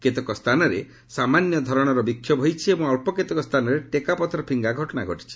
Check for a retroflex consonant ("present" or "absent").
present